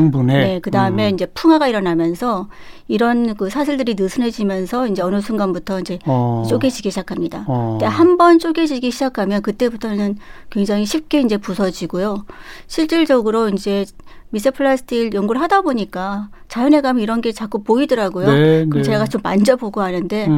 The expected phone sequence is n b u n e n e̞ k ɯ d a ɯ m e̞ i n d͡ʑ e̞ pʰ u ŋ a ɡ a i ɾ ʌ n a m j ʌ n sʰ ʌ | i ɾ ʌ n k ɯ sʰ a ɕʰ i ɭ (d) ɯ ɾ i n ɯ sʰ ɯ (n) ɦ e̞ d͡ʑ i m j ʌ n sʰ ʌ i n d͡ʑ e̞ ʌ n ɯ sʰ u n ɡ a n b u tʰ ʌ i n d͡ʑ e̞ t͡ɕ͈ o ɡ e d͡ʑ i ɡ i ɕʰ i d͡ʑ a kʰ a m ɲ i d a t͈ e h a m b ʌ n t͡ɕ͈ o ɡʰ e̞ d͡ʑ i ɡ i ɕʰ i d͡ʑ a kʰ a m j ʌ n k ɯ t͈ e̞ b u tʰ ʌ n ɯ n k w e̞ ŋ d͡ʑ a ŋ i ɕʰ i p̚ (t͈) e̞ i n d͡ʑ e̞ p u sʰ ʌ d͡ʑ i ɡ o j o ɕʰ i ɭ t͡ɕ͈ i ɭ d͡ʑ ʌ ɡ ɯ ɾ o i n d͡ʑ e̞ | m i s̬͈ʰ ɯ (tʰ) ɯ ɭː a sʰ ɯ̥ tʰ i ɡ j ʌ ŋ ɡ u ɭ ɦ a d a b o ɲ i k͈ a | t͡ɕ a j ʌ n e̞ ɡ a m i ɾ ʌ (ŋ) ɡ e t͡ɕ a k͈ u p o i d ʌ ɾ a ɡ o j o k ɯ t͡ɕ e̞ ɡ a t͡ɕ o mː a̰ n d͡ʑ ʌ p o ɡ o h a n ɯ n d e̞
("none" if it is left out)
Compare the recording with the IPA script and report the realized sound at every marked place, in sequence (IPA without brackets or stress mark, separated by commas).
d, n, k͈, pʰ, n